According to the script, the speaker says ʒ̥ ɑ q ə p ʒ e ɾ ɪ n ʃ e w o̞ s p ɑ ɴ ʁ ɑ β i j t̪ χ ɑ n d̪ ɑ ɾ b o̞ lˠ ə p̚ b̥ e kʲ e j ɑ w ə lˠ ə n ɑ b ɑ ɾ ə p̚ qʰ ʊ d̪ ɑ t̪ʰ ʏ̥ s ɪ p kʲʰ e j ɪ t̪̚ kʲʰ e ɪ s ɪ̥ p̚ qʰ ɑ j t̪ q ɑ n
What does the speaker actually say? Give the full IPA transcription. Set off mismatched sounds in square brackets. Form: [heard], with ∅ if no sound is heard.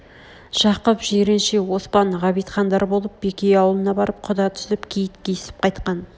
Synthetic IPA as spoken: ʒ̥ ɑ q ə p ʒ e ɾ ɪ n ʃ e w o̞ s p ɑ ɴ ʁ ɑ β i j t̪ χ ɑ n d̪ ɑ ɾ b o̞ lˠ ə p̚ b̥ e kʲ e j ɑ w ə lˠ ə n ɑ b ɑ ɾ ə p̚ qʰ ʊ d̪ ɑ t̪ʰ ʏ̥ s ɪ p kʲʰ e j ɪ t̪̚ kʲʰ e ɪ s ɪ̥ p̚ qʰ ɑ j t̪ q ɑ n